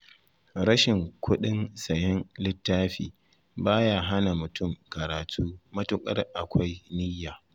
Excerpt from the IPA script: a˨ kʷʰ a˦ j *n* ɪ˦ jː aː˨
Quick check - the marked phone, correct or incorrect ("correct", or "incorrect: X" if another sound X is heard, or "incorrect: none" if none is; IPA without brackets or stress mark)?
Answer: correct